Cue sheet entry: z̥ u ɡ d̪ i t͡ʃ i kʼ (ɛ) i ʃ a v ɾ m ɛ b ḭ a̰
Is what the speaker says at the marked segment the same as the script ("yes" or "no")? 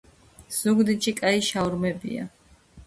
no